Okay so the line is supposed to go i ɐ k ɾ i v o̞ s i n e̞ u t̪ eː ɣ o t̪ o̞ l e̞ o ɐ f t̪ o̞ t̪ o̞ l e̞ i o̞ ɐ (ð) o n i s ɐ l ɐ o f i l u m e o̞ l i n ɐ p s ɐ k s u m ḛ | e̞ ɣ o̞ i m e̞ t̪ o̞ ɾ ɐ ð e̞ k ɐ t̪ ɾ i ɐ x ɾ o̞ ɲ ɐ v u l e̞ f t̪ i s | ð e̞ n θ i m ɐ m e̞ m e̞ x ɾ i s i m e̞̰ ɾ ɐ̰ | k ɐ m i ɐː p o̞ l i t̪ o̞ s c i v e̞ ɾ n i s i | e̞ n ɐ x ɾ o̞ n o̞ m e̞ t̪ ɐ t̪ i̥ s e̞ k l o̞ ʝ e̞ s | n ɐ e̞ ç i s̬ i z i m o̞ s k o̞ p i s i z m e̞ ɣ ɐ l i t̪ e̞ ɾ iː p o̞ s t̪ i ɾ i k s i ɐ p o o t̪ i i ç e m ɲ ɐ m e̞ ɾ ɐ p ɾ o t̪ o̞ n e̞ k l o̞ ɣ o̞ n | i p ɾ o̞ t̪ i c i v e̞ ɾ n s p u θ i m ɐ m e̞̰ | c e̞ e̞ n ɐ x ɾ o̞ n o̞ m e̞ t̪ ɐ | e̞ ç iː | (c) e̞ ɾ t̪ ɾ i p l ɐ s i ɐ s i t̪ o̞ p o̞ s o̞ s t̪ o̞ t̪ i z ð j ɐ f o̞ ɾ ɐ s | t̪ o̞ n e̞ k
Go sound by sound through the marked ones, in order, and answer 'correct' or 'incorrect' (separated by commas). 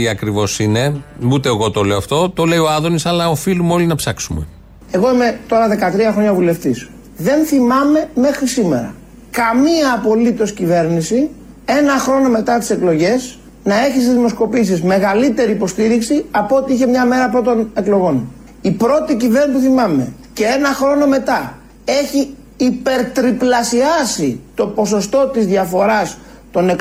correct, incorrect